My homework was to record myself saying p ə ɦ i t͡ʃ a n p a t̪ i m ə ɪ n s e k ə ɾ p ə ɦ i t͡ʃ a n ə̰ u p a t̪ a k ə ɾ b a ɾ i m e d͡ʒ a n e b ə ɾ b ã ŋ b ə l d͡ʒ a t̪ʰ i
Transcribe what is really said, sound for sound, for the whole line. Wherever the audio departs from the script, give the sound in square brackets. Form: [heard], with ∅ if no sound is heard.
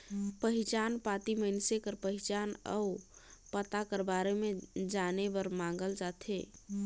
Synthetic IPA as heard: p ə ɦ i t͡ʃ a n p a t̪ i m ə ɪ n s e k ə ɾ p ə ɦ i t͡ʃ a n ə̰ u p [ə] t̪ a k ə ɾ b a ɾ [e] m e d͡ʒ a n e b ə ɾ [m] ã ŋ [ɡ] ə l d͡ʒ a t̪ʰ [e]